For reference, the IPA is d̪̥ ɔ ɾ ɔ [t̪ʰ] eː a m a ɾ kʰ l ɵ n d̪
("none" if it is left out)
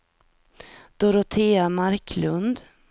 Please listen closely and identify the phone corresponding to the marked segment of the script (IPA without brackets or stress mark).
t̪ʰ